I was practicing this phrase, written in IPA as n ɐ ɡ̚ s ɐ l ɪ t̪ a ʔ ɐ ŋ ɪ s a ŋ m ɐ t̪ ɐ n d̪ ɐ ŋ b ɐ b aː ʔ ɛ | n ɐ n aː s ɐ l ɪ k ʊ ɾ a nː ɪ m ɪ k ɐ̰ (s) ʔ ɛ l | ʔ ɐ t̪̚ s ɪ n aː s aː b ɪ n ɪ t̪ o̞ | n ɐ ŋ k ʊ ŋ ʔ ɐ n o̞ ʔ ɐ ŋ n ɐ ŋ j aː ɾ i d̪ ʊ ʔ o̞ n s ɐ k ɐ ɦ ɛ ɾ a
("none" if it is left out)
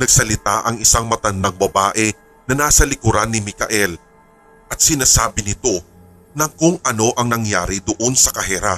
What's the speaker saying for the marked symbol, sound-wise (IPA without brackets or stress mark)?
none